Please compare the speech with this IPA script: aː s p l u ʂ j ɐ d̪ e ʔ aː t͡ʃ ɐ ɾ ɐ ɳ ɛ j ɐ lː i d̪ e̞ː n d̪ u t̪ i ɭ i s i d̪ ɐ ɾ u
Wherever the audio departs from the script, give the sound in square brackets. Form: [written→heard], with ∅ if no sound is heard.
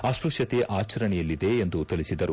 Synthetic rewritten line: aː s p [l→ɾ] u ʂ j ɐ [d̪→t̪] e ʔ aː t͡ʃ ɐ ɾ ɐ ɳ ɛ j ɐ lː i d̪ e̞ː n d̪ u t̪ i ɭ i s i d̪ ɐ ɾ u